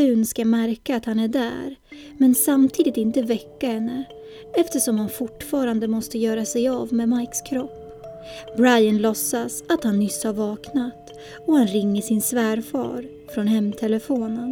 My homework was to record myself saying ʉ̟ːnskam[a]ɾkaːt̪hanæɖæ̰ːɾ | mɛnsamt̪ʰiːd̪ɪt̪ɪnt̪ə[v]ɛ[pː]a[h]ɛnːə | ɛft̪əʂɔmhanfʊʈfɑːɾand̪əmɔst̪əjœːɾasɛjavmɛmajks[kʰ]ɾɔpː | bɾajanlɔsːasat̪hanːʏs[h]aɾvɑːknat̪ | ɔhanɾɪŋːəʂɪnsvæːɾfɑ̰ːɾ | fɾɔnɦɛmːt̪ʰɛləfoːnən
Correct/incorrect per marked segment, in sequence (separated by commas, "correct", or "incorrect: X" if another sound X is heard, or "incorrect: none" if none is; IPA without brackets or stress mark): incorrect: æ, correct, incorrect: kː, correct, correct, correct